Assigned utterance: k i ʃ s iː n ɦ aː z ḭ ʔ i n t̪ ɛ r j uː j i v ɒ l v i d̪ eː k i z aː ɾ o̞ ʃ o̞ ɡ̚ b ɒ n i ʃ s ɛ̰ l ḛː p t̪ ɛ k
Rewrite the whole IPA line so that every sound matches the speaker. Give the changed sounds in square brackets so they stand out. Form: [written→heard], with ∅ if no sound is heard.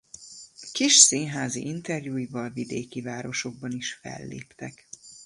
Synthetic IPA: k i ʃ s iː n ɦ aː z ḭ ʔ i n t̪ ɛ r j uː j i v ɒ l v i d̪ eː k i [z→v] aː ɾ o̞ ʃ o̞ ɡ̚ b ɒ n i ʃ [s→f] ɛ̰ [l→lː] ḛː p t̪ ɛ k